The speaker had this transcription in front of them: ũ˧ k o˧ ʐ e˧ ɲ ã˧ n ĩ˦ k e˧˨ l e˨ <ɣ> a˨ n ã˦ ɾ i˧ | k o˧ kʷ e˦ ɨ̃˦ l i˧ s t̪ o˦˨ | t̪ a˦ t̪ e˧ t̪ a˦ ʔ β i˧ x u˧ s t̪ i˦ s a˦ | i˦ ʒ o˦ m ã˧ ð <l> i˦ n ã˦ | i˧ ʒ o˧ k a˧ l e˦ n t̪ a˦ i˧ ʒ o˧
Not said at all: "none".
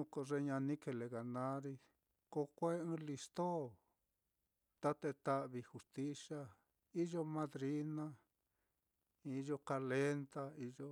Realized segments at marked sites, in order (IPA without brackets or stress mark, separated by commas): ɣ, ɾ